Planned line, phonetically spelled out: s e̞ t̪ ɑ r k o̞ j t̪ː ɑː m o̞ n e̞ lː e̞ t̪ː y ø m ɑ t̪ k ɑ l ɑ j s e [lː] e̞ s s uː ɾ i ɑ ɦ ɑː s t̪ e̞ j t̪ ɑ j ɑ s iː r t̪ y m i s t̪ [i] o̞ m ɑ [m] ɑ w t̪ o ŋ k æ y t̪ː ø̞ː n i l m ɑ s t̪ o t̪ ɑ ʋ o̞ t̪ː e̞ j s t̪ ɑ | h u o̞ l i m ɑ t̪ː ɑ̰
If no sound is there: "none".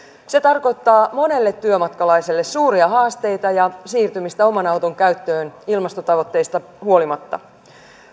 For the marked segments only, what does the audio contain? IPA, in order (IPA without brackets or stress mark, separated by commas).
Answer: lː, æ, n